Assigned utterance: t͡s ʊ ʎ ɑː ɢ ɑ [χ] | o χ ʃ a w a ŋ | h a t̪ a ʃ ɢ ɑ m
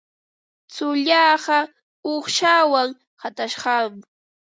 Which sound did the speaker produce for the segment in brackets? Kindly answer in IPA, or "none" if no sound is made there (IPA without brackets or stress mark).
none